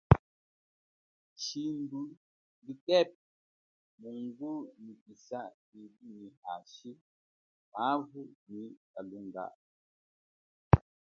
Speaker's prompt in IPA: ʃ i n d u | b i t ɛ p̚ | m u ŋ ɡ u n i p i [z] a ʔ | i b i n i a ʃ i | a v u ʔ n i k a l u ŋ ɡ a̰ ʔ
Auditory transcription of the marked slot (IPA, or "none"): s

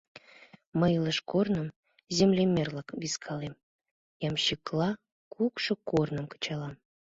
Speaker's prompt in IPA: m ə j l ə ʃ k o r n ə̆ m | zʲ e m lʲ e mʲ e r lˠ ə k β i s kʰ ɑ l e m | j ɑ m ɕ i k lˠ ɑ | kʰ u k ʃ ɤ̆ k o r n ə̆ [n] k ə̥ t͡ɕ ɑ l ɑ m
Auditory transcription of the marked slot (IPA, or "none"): m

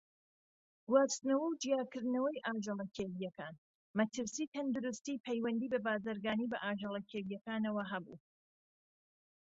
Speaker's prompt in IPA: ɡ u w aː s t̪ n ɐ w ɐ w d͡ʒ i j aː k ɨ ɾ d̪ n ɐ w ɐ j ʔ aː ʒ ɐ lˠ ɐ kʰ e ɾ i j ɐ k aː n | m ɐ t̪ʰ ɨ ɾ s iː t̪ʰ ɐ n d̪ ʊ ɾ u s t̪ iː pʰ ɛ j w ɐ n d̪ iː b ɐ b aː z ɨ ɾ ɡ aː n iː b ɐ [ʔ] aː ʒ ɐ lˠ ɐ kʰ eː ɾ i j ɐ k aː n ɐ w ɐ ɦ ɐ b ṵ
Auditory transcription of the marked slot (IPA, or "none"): ʔ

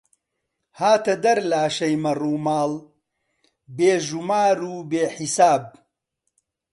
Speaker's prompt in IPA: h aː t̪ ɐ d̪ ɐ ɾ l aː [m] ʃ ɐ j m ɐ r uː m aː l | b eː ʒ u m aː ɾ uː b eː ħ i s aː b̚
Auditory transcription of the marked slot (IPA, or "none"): none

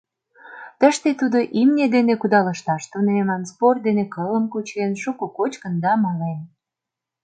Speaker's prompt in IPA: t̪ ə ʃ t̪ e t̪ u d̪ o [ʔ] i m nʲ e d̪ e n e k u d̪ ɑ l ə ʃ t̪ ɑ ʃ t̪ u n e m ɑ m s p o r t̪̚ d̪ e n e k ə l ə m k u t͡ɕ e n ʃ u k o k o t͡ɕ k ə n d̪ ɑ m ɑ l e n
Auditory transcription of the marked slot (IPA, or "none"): ʔ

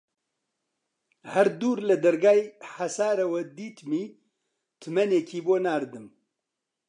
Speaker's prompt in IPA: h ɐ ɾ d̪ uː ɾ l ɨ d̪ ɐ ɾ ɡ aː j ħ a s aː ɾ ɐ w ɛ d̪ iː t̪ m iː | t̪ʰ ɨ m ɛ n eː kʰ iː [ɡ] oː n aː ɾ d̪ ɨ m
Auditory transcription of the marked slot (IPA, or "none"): b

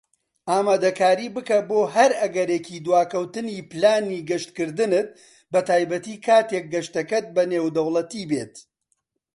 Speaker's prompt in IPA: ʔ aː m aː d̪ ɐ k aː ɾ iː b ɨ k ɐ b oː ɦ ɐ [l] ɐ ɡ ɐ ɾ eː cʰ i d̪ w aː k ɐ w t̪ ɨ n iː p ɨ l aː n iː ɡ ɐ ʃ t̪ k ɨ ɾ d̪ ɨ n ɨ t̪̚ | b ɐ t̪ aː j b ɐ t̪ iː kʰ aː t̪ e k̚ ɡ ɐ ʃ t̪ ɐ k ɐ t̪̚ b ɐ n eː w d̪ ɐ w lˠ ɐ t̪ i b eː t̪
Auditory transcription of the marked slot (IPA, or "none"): ɾ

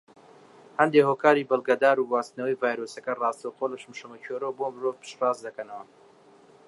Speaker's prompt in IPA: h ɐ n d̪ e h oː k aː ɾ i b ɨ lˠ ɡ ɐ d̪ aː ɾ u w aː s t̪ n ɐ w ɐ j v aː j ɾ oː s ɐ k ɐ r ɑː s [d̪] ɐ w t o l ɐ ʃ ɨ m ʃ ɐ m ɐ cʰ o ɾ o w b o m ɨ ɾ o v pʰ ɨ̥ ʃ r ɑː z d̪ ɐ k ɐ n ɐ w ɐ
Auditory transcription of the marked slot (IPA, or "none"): t̪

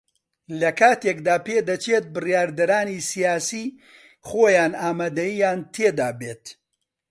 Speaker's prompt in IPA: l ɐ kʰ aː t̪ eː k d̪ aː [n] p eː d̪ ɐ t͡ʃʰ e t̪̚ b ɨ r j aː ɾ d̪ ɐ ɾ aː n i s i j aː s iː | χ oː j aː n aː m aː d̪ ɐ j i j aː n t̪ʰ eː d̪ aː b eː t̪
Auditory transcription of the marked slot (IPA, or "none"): none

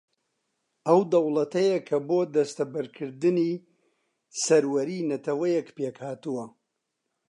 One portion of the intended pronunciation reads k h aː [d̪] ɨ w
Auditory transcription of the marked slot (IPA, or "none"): t̪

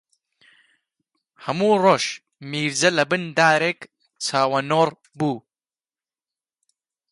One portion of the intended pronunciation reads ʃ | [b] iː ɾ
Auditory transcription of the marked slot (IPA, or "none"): m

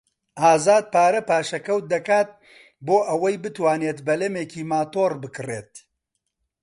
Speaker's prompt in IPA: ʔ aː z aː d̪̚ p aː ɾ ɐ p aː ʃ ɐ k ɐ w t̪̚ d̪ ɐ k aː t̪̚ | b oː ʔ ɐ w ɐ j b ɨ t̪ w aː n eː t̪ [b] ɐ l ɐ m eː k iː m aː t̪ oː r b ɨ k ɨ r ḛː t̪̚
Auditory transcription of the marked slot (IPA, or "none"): b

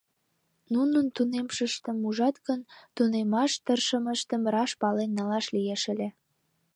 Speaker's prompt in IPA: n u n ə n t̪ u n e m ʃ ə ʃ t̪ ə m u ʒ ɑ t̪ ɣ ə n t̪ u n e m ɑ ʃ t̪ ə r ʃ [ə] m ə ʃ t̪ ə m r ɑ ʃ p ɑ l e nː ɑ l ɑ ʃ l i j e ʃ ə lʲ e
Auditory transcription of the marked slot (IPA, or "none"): ə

